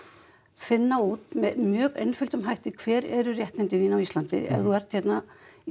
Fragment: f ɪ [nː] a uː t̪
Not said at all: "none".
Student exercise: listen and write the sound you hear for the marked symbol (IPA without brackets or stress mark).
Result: nː